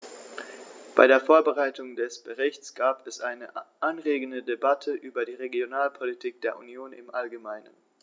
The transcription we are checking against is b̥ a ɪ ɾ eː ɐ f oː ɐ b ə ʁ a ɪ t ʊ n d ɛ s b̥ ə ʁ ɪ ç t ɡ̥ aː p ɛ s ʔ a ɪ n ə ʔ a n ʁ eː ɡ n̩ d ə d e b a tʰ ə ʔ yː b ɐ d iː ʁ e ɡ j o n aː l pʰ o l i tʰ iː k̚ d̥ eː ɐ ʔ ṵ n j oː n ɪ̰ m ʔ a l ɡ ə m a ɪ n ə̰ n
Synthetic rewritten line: b̥ a ɪ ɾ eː ɐ f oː ɐ b ə ʁ a ɪ t ʊ ŋ d ɛ s b̥ ə ʁ ɪ ç t͡s ɡ̥ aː p ɛ s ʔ a ɪ n ə ʔ a n ʁ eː ɡ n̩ d ə d e b a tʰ ə ʔ yː b ɐ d iː ʁ e ɡ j o n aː l pʰ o l i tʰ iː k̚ d̥ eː ɐ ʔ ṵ n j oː n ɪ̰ m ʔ a l ɡ ə m a ɪ n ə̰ n

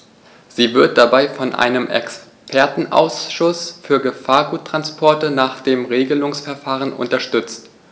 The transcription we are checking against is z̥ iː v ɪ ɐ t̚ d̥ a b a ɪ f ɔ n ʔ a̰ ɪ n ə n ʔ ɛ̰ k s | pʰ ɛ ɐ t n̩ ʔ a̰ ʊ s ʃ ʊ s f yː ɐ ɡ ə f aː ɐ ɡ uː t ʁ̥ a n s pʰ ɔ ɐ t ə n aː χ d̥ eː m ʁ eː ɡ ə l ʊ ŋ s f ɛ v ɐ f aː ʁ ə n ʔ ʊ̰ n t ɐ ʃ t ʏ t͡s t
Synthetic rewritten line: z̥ iː v ɪ ɐ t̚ d̥ a b a ɪ f ɔ n ʔ a̰ ɪ n ə m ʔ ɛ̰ k s | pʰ ɛ ɐ t n̩ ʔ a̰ ʊ s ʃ ʊ s f yː ɐ ɡ ə f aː ɐ ɡ uː t ʁ̥ a n s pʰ ɔ ɐ t ə n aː χ d̥ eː m ʁ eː ɡ ə l ʊ ŋ s f ɛ ɐ f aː ʁ ə n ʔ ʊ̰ n t ɐ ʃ t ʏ t͡s t

